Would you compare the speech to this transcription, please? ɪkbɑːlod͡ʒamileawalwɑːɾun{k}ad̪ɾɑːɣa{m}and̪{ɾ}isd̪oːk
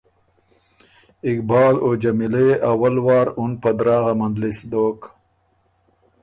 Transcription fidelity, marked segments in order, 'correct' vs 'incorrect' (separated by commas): incorrect, correct, incorrect